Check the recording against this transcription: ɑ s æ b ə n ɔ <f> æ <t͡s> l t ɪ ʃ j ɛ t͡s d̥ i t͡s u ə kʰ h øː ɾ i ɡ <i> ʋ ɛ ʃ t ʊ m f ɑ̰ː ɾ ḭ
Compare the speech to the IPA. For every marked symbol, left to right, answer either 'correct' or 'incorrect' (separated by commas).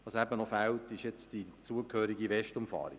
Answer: correct, incorrect, correct